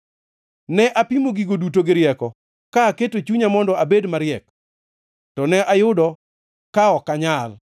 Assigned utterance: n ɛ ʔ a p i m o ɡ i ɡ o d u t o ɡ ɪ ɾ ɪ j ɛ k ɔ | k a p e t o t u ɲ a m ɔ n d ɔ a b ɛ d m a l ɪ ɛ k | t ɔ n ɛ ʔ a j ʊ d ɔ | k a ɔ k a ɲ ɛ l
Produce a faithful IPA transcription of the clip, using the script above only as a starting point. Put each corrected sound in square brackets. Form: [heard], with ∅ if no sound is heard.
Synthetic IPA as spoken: n ɛ ʔ a p i m o ɡ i ɡ o d u t o ɡ ɪ ɾ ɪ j ɛ k ɔ | k a [k] e t o [t͡ʃ] u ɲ a m ɔ n d ɔ a b [e] d m a [ɾ] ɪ ɛ k | t ɔ n ɛ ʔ a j ʊ d ɔ | k a ɔ k a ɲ [a] l